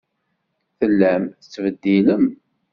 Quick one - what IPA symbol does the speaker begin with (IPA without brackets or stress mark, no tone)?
θ